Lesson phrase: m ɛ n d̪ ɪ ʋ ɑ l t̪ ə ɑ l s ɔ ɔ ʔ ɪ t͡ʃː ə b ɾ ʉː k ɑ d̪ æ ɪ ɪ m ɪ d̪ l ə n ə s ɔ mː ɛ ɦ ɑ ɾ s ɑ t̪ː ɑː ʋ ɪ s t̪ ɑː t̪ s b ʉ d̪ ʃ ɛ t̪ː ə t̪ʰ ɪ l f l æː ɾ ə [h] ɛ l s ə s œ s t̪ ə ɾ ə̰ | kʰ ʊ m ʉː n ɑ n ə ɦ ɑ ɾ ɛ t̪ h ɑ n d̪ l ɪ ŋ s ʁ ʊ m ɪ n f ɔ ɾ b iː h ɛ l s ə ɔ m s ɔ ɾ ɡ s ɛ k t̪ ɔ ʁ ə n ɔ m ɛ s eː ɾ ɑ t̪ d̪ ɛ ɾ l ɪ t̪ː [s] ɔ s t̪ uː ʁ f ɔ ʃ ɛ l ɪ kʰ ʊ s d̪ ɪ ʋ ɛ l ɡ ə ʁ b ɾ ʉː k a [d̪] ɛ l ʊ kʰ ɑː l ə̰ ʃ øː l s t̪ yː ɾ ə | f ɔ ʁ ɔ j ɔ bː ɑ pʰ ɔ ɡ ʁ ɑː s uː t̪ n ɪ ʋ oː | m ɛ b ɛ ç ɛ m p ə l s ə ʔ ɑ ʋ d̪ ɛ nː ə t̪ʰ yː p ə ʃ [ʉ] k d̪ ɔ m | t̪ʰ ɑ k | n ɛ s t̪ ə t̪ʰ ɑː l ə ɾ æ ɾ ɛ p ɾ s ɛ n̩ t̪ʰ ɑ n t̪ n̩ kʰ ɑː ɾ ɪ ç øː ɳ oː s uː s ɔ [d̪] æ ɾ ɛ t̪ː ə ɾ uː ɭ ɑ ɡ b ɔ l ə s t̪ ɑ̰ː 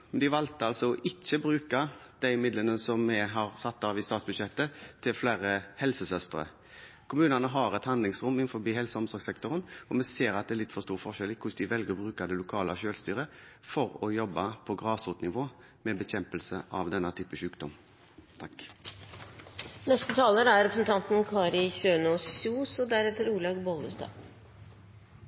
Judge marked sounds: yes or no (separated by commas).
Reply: yes, no, yes, no, yes